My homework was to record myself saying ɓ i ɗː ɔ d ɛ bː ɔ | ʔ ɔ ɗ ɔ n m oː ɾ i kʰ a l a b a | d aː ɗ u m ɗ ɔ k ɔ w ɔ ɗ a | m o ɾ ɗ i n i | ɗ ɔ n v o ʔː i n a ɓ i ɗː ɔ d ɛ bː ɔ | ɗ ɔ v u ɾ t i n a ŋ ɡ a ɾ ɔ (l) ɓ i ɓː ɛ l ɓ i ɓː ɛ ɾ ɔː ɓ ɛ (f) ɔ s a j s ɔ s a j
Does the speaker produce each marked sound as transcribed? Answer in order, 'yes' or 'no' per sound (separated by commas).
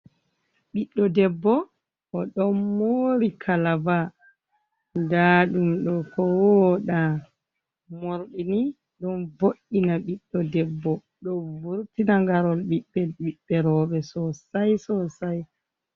yes, no